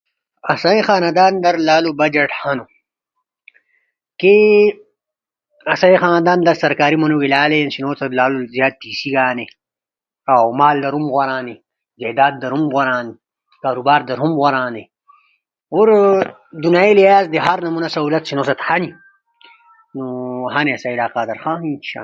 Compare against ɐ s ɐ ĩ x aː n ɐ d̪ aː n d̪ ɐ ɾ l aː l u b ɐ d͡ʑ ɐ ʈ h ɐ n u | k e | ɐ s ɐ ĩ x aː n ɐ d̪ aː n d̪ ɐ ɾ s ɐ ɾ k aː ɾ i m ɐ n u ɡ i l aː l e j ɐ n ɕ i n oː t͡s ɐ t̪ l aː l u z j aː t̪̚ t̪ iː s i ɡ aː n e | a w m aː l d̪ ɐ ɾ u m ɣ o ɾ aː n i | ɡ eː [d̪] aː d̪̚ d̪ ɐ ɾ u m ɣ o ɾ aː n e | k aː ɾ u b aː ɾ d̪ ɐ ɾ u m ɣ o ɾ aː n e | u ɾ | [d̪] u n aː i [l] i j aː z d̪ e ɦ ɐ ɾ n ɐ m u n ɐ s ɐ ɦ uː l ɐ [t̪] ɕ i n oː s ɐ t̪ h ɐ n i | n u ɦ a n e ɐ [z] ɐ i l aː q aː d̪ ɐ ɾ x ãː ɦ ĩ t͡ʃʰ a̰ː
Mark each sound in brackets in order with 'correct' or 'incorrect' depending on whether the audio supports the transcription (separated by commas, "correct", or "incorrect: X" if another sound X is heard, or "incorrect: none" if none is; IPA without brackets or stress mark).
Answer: correct, correct, correct, correct, incorrect: s